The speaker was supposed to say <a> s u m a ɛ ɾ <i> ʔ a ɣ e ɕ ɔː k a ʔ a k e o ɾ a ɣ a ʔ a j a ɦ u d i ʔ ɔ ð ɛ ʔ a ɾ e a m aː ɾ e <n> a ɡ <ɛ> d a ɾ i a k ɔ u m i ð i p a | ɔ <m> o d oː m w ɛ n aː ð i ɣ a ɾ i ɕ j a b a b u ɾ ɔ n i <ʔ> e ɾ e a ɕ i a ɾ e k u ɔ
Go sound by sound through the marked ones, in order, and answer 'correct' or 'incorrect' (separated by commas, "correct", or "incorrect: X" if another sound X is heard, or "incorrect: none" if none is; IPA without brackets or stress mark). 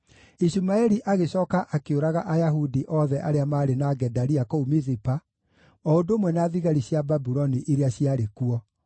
incorrect: i, correct, correct, correct, incorrect: none, correct